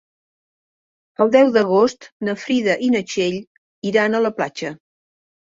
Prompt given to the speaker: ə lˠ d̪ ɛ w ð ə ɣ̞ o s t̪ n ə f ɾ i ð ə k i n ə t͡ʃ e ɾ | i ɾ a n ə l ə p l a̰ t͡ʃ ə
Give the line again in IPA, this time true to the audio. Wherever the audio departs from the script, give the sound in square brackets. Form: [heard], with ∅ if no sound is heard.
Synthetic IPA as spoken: ə lˠ d̪ ɛ w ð ə ɣ̞ o s t̪ n ə f ɾ i ð ə [ʔ] i n ə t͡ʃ e [ʎ] | i ɾ a n ə l ə p l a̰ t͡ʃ ə